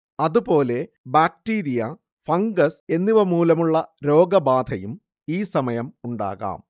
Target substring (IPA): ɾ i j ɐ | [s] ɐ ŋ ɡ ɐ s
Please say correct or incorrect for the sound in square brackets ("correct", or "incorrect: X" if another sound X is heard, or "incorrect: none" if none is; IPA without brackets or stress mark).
incorrect: f